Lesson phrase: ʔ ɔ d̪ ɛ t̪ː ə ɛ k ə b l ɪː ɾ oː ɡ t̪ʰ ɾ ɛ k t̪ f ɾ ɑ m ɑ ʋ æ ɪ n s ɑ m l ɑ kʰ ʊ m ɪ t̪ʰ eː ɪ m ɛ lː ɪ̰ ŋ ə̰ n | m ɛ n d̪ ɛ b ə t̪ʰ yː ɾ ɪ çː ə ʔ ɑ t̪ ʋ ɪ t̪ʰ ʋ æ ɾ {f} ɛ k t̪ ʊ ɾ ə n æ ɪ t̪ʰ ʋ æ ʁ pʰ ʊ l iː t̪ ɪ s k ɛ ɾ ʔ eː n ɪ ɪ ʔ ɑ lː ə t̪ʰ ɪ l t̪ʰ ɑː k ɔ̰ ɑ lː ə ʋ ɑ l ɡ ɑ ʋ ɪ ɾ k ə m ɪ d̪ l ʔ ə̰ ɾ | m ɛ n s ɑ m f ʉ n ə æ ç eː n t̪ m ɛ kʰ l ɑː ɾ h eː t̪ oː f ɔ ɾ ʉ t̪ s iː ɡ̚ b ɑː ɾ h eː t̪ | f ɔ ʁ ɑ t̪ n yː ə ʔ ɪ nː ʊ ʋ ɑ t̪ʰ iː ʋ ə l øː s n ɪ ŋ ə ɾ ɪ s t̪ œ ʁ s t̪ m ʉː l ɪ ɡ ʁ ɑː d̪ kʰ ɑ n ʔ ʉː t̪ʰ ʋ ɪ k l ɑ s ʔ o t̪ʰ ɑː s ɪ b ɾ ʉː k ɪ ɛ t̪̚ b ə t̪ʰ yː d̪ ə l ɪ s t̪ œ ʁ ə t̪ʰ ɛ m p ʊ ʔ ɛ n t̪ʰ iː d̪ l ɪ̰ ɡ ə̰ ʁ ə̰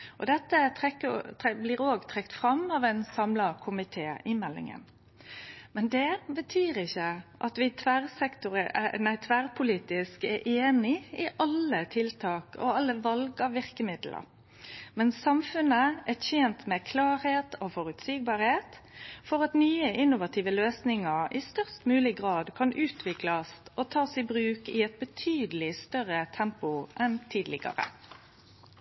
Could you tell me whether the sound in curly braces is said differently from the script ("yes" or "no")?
yes